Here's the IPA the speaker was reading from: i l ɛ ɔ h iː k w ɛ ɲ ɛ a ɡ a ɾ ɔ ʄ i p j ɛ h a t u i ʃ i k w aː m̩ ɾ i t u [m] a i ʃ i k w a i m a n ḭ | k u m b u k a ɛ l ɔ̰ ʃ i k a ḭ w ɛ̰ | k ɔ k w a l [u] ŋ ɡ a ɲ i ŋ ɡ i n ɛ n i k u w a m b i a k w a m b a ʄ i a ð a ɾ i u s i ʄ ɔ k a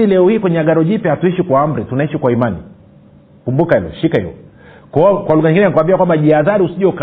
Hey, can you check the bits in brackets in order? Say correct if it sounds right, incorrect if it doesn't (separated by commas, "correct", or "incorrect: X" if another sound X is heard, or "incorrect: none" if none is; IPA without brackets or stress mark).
incorrect: n, correct